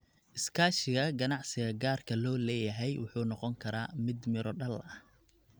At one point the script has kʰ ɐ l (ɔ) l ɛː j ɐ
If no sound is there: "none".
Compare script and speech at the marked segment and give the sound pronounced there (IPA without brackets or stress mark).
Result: ɔː